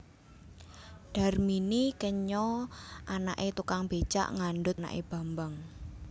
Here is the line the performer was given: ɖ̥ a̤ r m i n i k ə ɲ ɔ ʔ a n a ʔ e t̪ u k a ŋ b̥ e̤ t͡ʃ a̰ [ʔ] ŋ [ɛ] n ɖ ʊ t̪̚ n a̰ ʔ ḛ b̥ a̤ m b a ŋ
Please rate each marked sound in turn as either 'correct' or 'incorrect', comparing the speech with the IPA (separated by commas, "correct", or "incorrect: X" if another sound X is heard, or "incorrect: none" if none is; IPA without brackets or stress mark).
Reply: correct, incorrect: a